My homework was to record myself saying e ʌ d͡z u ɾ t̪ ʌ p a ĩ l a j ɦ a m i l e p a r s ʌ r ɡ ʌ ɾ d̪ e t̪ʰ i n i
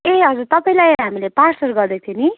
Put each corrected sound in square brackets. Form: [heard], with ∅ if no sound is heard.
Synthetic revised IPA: e ʌ d͡z u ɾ t̪ ʌ p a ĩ l a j ɦ a m i l e p a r s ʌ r ɡ ʌ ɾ d̪ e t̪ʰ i n i

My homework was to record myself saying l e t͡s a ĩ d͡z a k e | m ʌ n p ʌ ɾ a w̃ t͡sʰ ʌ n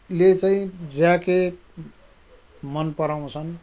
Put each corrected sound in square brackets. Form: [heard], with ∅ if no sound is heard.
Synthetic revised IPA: l e t͡s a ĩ d͡z a k e | m ʌ n p ʌ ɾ a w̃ t͡sʰ ʌ n

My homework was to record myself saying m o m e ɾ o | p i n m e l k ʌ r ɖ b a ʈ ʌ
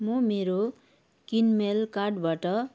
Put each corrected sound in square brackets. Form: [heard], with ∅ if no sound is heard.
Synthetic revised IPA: m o m e ɾ o | [k] i n m e l k [a] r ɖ b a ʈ ʌ

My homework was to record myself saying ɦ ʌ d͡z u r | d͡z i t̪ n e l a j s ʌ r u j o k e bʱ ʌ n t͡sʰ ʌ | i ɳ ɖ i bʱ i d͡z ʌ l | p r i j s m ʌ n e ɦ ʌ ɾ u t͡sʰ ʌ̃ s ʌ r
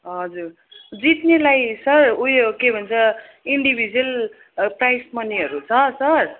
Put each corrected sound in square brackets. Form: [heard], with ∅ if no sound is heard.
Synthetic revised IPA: ɦ ʌ d͡z u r | d͡z i t̪ n e l a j s ʌ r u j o k e bʱ ʌ n t͡sʰ ʌ | i ɳ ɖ i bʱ i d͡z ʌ l | p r [a] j s m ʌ n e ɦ ʌ ɾ u t͡sʰ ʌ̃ s ʌ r

